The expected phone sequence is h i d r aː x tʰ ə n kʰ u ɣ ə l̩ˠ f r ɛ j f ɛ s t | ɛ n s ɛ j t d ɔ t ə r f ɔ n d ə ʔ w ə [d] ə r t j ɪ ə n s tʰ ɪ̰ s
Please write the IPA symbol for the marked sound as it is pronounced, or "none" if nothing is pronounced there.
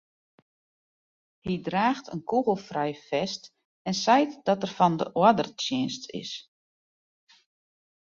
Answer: d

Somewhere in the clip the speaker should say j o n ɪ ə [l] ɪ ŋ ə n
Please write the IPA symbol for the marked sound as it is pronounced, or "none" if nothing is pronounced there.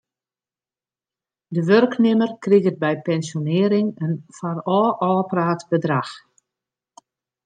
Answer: ɾ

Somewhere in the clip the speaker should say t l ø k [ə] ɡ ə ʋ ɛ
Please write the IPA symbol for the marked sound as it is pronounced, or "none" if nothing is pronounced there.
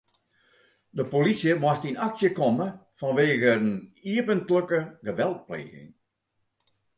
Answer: ə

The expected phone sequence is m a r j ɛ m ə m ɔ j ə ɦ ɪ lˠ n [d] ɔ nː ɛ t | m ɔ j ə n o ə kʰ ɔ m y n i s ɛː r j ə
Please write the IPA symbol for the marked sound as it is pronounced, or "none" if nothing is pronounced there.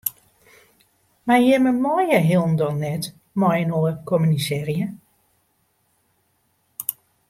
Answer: d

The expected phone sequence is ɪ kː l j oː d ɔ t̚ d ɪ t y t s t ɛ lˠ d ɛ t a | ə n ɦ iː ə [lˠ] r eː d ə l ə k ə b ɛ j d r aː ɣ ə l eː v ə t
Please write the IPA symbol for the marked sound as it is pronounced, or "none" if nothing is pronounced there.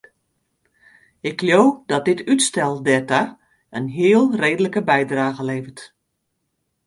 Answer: lˠ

